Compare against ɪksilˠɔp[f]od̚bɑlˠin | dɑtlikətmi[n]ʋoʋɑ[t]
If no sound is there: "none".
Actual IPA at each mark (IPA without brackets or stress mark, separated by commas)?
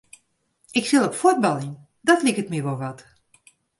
f, none, t